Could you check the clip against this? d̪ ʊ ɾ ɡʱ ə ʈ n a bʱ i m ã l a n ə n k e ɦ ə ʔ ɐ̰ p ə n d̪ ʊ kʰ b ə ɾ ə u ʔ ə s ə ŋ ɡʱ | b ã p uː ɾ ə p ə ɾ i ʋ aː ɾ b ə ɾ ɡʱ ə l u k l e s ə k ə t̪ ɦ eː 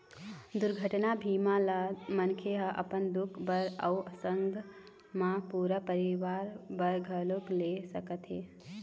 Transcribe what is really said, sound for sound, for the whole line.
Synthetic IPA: d̪ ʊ ɾ ɡʱ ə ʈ n a bʱ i m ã l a m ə n kʰ e ɦ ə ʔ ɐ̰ p ə n d̪ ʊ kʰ b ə ɾ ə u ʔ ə s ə ŋ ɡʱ | m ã p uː ɾ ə p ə ɾ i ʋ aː ɾ b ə ɾ ɡʱ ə l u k l e s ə k ə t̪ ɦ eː